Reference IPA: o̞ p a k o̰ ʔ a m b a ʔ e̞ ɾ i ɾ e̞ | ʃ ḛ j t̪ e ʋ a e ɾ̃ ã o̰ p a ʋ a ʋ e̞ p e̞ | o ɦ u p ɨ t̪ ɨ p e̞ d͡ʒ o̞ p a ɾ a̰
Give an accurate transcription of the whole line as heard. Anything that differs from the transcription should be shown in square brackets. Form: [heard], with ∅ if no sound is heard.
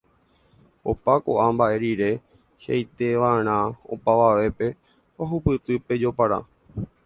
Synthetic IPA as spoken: o̞ p a k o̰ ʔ a m b a ʔ e̞ ɾ i ɾ e̞ | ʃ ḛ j t̪ e ʋ a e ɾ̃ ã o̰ p a ʋ a ʋ e̞ p e̞ | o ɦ u p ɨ t̪ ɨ p e̞ d͡ʒ o̞ p a ɾ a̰